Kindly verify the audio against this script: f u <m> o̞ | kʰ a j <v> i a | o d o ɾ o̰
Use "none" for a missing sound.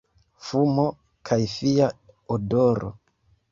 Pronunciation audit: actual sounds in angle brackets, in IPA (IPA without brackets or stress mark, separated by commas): m, f